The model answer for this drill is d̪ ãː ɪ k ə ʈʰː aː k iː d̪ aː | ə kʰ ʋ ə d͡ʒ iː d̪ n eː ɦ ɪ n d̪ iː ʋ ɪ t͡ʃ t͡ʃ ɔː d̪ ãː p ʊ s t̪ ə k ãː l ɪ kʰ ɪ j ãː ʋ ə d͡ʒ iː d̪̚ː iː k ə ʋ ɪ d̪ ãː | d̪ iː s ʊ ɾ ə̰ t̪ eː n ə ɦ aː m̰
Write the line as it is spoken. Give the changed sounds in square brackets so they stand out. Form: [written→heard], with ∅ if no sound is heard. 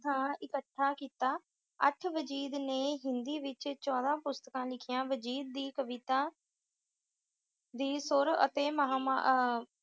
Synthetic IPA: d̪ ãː ɪ k ə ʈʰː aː k iː [d̪→t̪] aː | ə [kʰ→ʈʰ] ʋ ə d͡ʒ iː d̪ n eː ɦ ɪ n d̪ iː ʋ ɪ t͡ʃ t͡ʃ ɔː d̪ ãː p ʊ s t̪ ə k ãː l ɪ kʰ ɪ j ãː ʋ ə d͡ʒ iː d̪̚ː iː k ə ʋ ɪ [d̪→t̪] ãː | d̪ iː s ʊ ɾ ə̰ t̪ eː [n→m] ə ɦ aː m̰